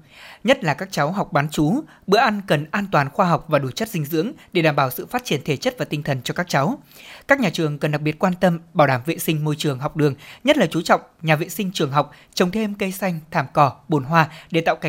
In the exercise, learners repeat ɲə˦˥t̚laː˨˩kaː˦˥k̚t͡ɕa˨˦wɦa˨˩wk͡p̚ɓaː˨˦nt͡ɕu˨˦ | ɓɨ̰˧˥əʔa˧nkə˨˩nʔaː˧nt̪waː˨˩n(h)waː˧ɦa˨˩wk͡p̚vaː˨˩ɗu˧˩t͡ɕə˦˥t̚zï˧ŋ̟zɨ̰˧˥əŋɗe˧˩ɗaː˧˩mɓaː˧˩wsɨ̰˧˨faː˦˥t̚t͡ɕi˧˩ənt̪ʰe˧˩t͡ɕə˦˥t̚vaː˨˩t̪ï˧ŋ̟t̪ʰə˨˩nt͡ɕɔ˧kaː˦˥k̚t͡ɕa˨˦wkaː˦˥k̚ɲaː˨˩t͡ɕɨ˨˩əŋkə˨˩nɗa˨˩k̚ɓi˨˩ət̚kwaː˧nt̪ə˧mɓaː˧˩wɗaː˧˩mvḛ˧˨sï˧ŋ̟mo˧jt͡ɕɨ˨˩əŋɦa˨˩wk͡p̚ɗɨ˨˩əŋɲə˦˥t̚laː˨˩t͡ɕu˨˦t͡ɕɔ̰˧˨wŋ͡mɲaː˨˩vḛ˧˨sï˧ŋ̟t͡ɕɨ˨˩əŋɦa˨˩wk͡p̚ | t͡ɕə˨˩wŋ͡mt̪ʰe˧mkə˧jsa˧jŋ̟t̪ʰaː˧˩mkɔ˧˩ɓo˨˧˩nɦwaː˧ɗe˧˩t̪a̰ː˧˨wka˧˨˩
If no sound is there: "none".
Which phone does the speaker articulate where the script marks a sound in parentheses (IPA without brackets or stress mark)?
x